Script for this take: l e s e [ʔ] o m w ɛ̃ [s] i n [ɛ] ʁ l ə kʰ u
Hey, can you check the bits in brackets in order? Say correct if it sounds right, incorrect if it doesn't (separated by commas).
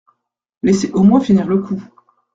correct, incorrect, incorrect